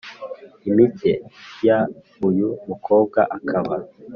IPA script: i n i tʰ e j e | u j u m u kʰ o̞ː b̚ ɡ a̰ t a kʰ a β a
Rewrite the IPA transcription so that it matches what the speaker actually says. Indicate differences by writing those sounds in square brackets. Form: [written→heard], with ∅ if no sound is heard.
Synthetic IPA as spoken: i [n→m] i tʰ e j [e→a] | u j u m u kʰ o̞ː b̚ ɡ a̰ [t→ʔ] a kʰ a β a